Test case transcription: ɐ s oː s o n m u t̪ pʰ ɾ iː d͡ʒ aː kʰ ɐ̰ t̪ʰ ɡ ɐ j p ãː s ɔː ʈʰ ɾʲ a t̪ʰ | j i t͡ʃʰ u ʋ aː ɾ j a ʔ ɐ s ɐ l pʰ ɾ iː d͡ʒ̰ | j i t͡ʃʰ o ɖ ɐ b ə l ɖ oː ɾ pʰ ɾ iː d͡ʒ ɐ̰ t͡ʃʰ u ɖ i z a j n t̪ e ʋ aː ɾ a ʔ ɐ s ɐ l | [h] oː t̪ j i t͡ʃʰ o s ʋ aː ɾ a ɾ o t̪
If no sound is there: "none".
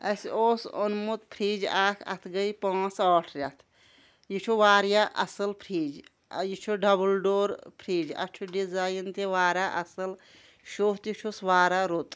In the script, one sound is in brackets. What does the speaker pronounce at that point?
ʃ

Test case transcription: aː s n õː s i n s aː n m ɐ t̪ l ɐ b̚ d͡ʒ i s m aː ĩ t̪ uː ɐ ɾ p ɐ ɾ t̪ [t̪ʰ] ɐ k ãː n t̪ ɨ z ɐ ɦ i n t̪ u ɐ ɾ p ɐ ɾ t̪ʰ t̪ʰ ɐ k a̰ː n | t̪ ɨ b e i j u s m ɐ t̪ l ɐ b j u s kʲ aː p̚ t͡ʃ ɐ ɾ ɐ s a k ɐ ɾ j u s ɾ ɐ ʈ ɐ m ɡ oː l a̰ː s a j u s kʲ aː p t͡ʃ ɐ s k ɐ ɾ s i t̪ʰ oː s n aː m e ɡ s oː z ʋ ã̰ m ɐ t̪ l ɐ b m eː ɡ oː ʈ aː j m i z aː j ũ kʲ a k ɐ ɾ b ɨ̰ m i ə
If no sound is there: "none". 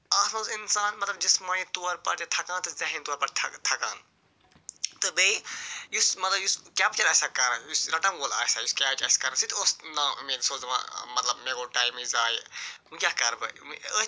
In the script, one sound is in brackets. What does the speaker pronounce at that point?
t̪ʰ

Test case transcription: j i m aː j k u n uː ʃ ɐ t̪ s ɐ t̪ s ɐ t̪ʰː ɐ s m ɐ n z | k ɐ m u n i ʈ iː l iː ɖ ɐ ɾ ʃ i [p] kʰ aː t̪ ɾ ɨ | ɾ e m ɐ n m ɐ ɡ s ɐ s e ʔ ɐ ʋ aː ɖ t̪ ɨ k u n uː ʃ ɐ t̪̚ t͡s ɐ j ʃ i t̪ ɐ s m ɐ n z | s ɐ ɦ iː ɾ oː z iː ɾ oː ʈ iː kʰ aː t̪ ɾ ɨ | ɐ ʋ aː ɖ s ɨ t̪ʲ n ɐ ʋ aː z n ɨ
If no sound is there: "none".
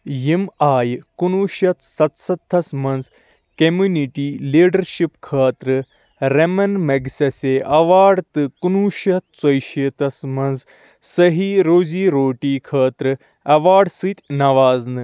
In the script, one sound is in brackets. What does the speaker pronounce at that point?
p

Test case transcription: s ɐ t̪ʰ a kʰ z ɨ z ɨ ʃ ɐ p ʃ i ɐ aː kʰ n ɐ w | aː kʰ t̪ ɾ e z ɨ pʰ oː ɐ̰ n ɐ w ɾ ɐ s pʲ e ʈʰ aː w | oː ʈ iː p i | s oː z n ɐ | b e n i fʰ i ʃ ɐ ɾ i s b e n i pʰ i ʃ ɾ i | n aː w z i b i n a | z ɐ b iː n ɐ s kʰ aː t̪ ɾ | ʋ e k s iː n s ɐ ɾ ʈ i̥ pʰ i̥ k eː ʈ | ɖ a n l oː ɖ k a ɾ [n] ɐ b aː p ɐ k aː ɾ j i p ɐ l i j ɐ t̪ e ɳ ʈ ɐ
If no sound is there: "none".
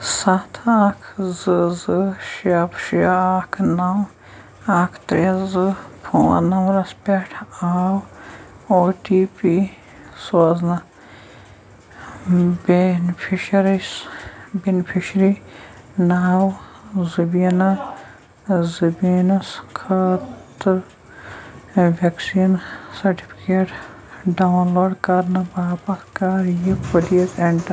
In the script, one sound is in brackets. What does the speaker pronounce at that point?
n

